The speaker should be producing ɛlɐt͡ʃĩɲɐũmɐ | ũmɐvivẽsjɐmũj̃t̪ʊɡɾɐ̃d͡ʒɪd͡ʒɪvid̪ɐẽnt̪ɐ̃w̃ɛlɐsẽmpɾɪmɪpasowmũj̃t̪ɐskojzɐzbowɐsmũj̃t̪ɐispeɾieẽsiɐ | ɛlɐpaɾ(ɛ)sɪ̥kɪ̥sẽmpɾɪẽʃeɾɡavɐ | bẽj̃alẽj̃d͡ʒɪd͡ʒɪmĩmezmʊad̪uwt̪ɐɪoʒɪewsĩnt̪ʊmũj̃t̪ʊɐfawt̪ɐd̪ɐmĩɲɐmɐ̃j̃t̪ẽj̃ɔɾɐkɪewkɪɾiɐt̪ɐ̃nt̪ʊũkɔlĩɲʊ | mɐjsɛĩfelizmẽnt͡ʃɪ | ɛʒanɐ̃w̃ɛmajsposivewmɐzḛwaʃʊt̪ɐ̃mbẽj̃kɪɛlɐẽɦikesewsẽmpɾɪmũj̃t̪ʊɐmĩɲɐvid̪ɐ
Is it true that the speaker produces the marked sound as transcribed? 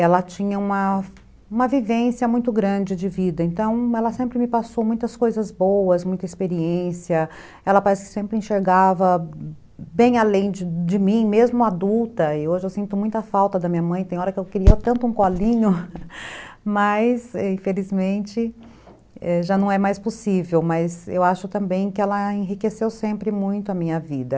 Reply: yes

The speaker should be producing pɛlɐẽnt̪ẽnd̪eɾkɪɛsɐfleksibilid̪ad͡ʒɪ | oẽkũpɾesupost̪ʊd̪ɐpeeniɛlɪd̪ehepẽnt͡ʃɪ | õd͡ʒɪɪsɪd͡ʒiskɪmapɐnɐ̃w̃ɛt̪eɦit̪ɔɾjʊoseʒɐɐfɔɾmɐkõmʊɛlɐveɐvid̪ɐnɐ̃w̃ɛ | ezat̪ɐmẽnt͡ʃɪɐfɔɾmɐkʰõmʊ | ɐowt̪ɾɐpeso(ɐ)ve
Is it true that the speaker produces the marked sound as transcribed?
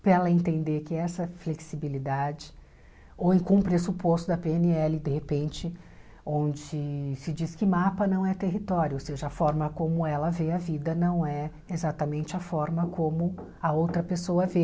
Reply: yes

